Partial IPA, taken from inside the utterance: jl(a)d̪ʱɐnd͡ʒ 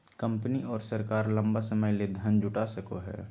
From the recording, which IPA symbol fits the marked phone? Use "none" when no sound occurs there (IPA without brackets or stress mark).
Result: e